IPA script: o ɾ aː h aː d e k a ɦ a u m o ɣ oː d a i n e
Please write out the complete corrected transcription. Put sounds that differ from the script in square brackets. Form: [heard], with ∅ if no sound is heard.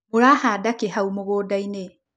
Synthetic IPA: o ɾ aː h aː d [a] k [e] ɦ a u m o ɣ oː d a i n e